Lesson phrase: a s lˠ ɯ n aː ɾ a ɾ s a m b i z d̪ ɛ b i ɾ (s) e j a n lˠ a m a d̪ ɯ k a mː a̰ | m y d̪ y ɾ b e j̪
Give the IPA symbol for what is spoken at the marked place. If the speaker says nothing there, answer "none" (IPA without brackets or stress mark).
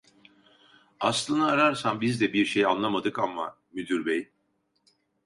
ʃ